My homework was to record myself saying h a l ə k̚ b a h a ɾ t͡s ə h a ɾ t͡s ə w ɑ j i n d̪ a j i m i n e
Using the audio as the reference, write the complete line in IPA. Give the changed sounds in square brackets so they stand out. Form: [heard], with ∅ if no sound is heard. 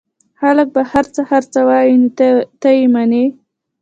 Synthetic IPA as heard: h a l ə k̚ b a h a ɾ t͡s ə h a ɾ t͡s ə w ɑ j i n [t̪] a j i m [a] n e